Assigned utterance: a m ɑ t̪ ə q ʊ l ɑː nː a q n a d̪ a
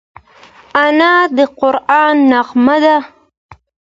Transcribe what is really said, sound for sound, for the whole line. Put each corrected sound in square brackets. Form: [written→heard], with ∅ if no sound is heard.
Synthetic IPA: a [m→n] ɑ [t̪→d̪] ə q ʊ [l→ɾ] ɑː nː a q [n→m] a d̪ a

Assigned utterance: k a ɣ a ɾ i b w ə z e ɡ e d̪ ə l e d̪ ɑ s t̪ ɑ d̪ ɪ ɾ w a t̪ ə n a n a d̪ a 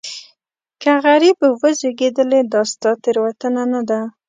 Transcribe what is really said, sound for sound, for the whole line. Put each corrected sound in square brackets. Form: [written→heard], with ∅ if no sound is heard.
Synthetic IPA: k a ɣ a ɾ i b w ə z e ɡ e d̪ ə l e d̪ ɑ s t̪ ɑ [d̪→t̪] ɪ ɾ w a t̪ ə n a n a d̪ a

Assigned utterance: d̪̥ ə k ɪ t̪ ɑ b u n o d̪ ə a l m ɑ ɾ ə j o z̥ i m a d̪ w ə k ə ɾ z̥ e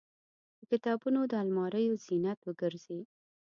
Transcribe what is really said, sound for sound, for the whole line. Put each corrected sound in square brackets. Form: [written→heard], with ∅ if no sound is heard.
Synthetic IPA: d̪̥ ə k ɪ t̪ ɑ b u n o d̪ ə a l m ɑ ɾ ə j o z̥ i [m→n] a [d̪→t̪] w ə [k→ɡ] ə ɾ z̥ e

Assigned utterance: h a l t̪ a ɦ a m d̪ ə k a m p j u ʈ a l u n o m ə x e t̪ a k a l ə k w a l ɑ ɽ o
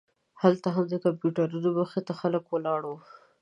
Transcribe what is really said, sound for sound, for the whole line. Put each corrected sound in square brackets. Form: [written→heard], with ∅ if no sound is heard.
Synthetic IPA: h a l t̪ a ɦ a m d̪ ə k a m p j u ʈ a [l→ɾ] u n o m ə x e t̪ a [k→x] a l ə k w [a→ə] l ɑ ɽ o

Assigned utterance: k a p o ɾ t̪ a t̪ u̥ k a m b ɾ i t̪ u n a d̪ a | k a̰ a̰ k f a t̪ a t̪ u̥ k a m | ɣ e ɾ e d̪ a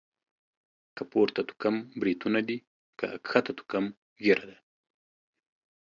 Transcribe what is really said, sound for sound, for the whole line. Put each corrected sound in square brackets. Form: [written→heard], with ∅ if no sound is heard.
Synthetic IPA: k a p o ɾ t̪ a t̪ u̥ k a m b ɾ i t̪ u n a d̪ [a→i] | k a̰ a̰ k [f→x] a t̪ a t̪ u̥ k a m | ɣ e ɾ [e→a] d̪ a

